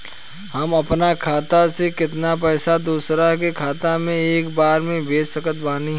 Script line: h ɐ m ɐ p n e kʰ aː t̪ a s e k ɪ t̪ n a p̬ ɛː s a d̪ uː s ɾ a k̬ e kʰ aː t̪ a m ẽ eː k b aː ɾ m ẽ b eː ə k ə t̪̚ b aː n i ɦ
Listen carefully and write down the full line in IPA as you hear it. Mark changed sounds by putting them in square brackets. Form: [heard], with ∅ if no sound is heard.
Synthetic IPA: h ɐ m ɐ p n [a] kʰ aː t̪ a s e k ɪ t̪ n a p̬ ɛː s a d̪ uː s ɾ a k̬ e kʰ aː t̪ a m ẽ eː k b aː ɾ m ẽ b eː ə k ə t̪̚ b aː n i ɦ